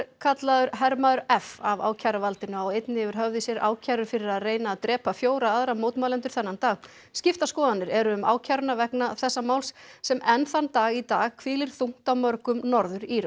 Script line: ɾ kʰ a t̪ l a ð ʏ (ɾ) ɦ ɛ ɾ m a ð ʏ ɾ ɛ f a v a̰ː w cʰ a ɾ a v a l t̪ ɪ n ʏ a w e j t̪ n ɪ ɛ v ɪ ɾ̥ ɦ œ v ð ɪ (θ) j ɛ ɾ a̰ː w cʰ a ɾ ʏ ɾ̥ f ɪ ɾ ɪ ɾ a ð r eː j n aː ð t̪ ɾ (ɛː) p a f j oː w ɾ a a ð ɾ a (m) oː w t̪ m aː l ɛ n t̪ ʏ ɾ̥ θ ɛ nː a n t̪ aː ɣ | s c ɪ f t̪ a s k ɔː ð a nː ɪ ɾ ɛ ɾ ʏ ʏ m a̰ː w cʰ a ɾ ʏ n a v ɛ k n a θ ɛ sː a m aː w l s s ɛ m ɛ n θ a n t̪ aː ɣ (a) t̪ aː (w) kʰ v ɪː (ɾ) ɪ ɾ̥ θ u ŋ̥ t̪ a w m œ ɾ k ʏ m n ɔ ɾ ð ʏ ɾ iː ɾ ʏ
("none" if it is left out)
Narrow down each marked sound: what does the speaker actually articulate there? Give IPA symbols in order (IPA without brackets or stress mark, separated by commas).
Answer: ɾ, s, ɛː, m, i, ɣ, l